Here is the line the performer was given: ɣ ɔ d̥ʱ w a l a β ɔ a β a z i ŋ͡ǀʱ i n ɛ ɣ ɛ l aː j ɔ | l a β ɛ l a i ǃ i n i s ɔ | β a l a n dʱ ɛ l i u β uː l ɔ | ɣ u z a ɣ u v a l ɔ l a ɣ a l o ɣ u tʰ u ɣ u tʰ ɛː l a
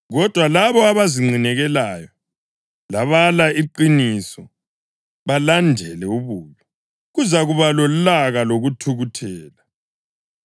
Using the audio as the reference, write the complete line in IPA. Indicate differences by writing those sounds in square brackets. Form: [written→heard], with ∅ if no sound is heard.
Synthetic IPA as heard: ɣ ɔ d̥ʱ w a l a β ɔ a β a z i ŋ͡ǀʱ i n ɛ ɣ ɛ l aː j ɔ | l a β [ɛ→a] l a i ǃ i n i s ɔ | β a l a n dʱ ɛ l [i→ɛ] u β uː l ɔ | ɣ u z a ɣ u [v→β] a l ɔ l a ɣ a l o ɣ u tʰ u ɣ u tʰ ɛː l a